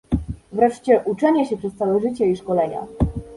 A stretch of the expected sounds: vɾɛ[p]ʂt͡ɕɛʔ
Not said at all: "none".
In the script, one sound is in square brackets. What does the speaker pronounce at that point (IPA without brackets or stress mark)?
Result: none